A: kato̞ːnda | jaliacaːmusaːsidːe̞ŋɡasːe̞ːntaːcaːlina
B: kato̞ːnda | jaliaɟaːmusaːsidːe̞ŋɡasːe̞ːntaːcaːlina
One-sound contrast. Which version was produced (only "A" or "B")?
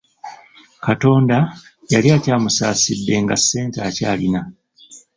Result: A